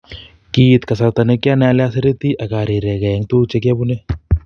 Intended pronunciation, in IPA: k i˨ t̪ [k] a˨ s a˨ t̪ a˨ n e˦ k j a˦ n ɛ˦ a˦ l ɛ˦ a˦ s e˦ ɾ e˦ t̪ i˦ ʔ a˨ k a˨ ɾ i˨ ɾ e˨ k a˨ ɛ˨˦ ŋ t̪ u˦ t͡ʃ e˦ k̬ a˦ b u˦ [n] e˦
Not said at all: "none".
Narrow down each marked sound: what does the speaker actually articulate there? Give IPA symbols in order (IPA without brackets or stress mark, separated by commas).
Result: k, n